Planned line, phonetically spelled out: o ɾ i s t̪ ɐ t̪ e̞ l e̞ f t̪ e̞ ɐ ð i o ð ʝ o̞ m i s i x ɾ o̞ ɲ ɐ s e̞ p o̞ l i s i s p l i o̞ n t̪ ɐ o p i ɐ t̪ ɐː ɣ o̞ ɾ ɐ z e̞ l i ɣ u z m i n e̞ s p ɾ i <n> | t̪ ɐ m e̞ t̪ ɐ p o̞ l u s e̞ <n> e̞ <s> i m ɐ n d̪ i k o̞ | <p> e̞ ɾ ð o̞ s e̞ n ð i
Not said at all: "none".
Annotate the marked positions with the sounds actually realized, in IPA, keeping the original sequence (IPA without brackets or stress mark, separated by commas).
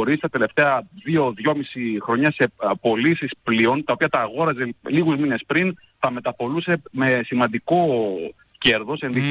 n, m, s, c